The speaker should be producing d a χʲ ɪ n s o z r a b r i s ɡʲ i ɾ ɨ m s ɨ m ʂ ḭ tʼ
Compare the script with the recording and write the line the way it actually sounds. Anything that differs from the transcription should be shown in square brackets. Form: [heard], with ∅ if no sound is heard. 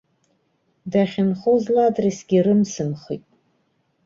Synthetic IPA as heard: d a χʲ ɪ n [χ] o z [l] a [d] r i s ɡʲ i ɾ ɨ m s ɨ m [χ] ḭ tʼ